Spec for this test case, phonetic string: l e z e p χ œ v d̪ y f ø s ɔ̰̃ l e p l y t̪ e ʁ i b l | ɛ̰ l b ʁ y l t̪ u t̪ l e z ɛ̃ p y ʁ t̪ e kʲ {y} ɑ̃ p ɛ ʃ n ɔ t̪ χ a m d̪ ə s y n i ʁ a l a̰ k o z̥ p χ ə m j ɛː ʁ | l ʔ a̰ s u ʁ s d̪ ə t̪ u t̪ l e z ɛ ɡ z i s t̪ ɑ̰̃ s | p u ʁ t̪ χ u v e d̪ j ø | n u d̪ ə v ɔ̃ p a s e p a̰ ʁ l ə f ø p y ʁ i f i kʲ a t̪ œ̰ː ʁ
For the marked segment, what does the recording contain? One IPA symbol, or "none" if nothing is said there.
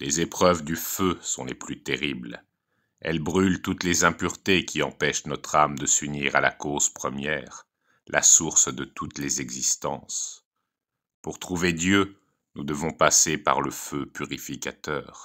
i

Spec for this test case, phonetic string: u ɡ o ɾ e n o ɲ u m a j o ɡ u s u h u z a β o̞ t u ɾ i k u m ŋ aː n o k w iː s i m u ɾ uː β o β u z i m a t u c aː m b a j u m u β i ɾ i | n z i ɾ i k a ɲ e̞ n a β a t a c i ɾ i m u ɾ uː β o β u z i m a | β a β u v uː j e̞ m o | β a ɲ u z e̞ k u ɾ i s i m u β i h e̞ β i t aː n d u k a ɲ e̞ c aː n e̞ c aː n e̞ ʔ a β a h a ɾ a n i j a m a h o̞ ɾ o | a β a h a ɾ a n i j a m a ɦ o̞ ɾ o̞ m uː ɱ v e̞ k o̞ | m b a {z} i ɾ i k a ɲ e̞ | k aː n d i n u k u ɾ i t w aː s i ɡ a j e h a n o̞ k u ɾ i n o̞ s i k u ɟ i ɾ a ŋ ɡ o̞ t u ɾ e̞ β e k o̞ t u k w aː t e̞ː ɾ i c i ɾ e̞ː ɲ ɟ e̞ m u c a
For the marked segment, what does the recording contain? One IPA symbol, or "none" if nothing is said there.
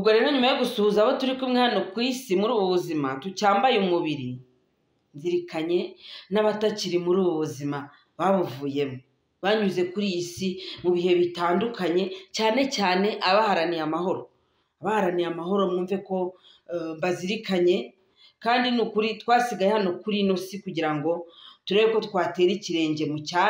z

